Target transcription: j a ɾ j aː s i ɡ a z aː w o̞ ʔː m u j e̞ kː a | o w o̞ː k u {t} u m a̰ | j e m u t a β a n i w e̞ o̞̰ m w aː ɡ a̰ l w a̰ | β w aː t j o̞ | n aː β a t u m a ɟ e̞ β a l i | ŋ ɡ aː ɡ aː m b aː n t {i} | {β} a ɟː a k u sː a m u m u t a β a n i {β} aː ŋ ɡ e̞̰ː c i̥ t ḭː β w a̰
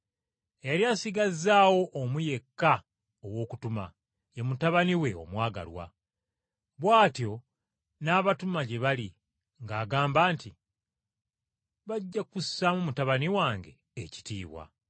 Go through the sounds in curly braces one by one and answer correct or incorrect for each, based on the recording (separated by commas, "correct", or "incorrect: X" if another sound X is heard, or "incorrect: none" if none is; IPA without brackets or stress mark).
correct, correct, correct, incorrect: w